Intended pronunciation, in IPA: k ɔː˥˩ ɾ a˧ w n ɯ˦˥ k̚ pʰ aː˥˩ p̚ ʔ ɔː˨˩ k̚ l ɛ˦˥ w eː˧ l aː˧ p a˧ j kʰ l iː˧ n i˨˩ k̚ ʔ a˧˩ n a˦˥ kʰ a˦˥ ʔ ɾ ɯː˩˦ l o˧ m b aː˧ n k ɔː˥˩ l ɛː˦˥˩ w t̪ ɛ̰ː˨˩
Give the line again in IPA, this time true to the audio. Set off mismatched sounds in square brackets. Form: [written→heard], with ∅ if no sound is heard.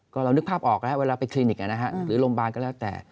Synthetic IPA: k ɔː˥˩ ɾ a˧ w n ɯ˦˥ k̚ pʰ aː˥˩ p̚ ʔ ɔː˨˩ k̚ l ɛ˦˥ w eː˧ l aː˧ p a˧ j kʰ l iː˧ n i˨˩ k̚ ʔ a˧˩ n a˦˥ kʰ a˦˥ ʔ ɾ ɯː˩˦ l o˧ m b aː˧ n k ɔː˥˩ l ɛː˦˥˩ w t̪ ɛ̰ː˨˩